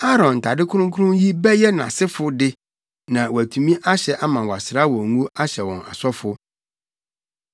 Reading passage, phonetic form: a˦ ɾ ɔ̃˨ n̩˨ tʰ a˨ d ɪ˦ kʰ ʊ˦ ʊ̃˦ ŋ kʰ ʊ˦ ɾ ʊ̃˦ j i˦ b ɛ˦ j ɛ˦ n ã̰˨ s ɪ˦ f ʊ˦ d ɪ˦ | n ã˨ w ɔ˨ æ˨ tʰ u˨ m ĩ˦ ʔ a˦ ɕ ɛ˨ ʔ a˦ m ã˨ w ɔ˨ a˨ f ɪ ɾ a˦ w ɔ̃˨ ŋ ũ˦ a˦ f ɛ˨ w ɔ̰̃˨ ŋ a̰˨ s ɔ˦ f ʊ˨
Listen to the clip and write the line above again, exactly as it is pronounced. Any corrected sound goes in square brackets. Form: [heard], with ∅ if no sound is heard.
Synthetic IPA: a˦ ɾ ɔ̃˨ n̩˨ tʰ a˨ d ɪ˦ kʰ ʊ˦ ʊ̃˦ ŋ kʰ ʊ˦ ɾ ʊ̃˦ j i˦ b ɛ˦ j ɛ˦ n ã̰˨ s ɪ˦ f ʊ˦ d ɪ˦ | n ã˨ w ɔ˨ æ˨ tʰ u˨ m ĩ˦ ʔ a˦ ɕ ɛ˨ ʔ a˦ m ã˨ w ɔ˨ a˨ [s] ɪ ɾ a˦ w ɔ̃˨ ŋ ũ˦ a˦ [ɕ] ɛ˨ w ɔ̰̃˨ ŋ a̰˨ s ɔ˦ f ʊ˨